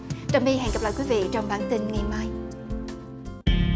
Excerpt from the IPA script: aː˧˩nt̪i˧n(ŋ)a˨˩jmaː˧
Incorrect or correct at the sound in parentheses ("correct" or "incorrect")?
correct